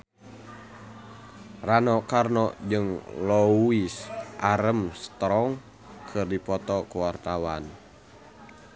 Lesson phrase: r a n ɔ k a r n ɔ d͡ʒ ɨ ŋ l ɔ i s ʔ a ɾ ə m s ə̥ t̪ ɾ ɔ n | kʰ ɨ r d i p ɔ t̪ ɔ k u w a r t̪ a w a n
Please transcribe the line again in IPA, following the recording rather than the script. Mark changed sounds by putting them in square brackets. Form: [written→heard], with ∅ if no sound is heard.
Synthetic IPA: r a n ɔ k a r n ɔ d͡ʒ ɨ ŋ l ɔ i s ʔ a ɾ ə m s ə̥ t̪ ɾ ɔ [n→ŋ] | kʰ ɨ r d i p ɔ t̪ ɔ k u w a r t̪ a w a n